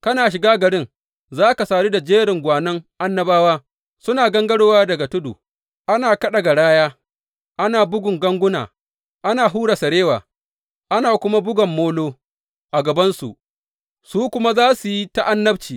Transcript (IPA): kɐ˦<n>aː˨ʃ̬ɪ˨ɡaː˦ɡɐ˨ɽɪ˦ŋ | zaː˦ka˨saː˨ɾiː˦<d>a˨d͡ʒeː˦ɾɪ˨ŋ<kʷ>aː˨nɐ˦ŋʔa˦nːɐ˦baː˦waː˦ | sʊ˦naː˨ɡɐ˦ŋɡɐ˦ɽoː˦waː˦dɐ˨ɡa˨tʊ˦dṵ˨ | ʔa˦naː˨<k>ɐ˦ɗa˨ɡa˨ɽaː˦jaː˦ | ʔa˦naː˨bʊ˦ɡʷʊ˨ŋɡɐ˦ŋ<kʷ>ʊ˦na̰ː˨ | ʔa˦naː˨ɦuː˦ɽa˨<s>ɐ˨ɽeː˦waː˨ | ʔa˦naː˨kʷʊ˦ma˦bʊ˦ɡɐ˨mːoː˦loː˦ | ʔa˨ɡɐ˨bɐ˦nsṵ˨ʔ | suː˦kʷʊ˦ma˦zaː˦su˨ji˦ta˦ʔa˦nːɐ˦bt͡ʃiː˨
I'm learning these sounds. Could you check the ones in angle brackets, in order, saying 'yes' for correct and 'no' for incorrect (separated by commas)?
yes, yes, no, yes, no, yes